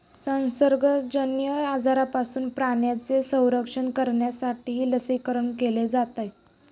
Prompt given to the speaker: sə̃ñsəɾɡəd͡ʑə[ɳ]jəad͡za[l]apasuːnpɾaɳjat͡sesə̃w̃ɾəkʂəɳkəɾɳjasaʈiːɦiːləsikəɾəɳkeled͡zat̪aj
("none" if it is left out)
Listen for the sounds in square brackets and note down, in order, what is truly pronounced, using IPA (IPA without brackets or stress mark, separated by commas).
n, ɾ